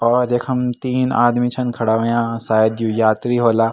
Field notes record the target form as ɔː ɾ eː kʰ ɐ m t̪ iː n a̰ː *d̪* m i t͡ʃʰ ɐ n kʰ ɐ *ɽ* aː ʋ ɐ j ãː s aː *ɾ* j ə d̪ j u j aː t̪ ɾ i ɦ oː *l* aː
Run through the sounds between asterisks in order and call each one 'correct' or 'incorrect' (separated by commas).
correct, correct, incorrect, correct